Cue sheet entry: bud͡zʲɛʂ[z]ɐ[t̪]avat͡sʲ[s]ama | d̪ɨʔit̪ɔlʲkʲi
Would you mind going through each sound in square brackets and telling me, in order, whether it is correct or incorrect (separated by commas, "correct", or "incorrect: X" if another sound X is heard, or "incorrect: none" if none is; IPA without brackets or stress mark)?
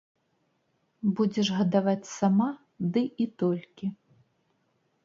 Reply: incorrect: ɣ, incorrect: d̪, correct